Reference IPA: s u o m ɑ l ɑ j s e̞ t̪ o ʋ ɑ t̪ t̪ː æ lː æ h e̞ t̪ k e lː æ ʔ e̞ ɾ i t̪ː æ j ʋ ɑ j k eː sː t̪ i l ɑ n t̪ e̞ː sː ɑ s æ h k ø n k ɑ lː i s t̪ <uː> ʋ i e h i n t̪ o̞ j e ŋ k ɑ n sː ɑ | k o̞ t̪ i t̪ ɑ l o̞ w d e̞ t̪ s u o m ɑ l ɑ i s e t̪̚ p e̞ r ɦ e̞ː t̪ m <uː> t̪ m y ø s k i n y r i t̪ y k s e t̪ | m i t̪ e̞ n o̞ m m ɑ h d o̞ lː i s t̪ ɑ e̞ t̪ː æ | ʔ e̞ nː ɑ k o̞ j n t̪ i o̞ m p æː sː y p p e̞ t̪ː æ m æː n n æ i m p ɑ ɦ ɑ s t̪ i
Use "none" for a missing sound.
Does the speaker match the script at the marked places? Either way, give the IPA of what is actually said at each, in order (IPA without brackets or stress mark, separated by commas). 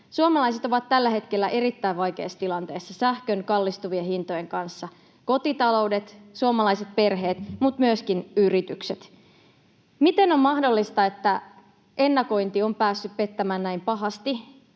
u, u